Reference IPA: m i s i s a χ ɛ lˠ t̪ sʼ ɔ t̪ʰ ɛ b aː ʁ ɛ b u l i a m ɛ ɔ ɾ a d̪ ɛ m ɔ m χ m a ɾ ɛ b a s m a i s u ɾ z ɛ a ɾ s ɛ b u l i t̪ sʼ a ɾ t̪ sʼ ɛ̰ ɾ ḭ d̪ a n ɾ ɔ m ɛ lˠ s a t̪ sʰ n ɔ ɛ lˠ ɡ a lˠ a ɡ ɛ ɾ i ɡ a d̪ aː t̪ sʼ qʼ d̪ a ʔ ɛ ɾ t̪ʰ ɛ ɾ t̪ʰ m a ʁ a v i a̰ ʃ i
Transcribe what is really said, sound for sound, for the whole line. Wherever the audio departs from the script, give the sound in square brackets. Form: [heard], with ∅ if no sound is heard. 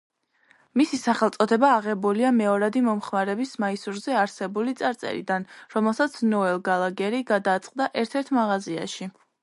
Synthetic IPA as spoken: m i s i s a χ ɛ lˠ t̪ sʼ ɔ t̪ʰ ɛ b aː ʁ ɛ b u l i a m ɛ ɔ ɾ a d̪ [i] m ɔ m χ m a ɾ ɛ b [i] s m a i s u ɾ z ɛ a ɾ s ɛ b u l i t̪ sʼ a ɾ t̪ sʼ ɛ̰ ɾ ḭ d̪ a n ɾ ɔ m ɛ lˠ s a t̪ sʰ n ɔ ɛ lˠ ɡ a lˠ a ɡ ɛ ɾ i ɡ a d̪ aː t̪ sʼ qʼ d̪ a ʔ ɛ ɾ t̪ʰ ɛ ɾ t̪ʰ m a ʁ a [z] i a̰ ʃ i

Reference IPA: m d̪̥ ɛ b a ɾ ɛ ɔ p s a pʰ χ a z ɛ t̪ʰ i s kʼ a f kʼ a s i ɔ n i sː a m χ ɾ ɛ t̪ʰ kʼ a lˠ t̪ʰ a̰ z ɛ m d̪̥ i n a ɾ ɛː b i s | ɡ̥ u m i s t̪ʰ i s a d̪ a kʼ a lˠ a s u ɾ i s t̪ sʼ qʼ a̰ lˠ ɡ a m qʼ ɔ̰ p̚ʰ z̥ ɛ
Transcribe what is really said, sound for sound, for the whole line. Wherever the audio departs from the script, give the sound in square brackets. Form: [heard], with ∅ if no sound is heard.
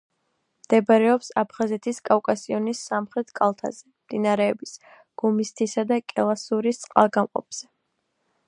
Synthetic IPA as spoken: m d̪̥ ɛ b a ɾ ɛ ɔ p s a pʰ χ a z ɛ t̪ʰ i s kʼ a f kʼ a s i ɔ n i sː a m χ ɾ ɛ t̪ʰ kʼ a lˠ t̪ʰ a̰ z ɛ m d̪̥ i n a ɾ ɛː b i s | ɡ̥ u m i s t̪ʰ i s a d̪ a kʼ [ɛ] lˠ a s u ɾ i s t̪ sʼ qʼ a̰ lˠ ɡ a m qʼ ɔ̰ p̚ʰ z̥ ɛ

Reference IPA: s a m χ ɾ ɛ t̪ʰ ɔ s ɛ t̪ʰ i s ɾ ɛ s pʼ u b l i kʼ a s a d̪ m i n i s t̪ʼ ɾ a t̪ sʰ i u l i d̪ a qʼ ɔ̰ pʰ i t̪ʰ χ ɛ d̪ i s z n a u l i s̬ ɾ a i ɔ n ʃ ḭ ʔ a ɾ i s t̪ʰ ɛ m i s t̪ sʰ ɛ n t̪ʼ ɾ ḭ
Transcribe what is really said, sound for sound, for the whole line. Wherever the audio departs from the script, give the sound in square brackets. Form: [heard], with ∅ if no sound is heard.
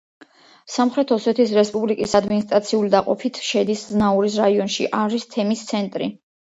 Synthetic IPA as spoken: s a m χ ɾ ɛ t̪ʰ ɔ s ɛ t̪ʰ i s ɾ ɛ s pʼ u b l i kʼ [i] s a d̪ m i n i s t̪ʼ ɾ a t̪ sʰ i u l i d̪ a qʼ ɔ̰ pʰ i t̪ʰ [ʃ] ɛ d̪ i s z n a u [ɾ] i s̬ ɾ a i ɔ n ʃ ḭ ʔ a ɾ i s t̪ʰ ɛ m i s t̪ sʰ ɛ n t̪ʼ ɾ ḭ

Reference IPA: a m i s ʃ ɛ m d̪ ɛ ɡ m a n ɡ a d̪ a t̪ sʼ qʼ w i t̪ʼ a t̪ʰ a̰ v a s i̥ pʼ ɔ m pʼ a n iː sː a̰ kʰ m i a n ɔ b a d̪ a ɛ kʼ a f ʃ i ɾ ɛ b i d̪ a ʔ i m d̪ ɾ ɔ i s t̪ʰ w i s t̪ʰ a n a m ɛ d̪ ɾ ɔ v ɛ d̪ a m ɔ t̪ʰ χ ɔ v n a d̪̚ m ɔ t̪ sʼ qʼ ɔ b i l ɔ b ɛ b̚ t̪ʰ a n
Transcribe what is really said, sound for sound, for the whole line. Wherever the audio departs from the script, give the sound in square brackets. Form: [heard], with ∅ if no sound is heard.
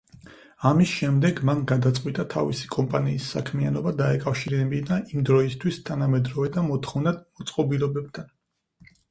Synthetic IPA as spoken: a m i s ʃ ɛ m d̪ ɛ ɡ m a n ɡ a d̪ a t̪ sʼ qʼ w i t̪ʼ a t̪ʰ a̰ v [i] s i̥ [kʼ] ɔ m pʼ a n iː sː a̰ kʰ m i a n ɔ b a d̪ a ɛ kʼ a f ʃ i ɾ ɛ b i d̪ a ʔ i m d̪ ɾ ɔ i s t̪ʰ w i s t̪ʰ a n a m ɛ d̪ ɾ ɔ v ɛ d̪ a m ɔ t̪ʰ χ ɔ v n a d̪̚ m ɔ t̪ sʼ qʼ ɔ b i l ɔ b ɛ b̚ t̪ʰ a n

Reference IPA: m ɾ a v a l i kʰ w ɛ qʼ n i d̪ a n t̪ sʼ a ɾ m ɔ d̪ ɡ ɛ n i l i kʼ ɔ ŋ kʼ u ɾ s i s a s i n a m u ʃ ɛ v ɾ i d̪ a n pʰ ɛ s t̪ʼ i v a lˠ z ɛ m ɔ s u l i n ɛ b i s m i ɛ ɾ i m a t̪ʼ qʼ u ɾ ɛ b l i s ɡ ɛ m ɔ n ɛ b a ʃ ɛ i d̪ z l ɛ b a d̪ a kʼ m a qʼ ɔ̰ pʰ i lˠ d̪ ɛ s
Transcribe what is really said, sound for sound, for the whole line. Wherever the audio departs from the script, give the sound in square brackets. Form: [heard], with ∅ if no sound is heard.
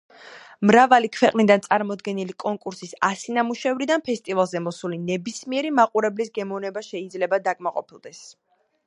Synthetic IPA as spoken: m ɾ a v a l i kʰ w ɛ qʼ n i d̪ a n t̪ sʼ a ɾ m ɔ d̪ ɡ ɛ n i l i kʼ ɔ ŋ kʼ u ɾ s i s a s i n a m u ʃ ɛ v ɾ i d̪ a n pʰ ɛ s t̪ʼ i v a lˠ z ɛ m ɔ s u l i n ɛ b i s m i ɛ ɾ i m a [∅] qʼ u ɾ ɛ b l i s ɡ ɛ m ɔ n ɛ b a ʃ ɛ i d̪ z l ɛ b a d̪ a kʼ m a qʼ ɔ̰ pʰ i lˠ d̪ ɛ s

